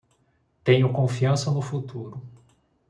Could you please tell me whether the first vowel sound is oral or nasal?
nasal